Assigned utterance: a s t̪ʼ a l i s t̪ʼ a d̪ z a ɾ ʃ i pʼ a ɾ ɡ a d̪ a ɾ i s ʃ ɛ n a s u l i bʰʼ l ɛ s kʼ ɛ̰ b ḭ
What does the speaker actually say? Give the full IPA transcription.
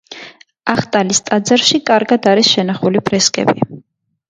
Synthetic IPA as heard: a χ t̪ʼ a l i s t̪ʼ a d̪ z a ɾ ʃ i kʼ a ɾ ɡ a d̪ a ɾ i s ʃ ɛ n a χ u l i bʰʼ ɾ ɛ s kʼ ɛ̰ b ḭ